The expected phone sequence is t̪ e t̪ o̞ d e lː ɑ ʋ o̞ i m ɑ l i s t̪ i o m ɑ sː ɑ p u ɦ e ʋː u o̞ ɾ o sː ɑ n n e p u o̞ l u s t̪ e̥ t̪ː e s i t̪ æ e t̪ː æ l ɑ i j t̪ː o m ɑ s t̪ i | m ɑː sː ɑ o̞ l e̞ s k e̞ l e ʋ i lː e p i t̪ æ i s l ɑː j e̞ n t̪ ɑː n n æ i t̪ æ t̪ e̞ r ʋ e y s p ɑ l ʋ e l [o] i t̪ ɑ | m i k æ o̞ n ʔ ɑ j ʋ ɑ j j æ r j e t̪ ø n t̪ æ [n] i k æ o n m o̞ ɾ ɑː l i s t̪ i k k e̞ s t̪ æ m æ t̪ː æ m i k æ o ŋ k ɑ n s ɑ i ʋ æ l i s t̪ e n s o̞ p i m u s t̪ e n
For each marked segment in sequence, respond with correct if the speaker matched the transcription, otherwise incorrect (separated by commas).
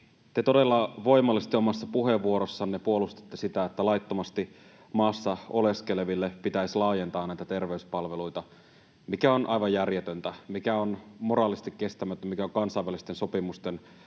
incorrect, incorrect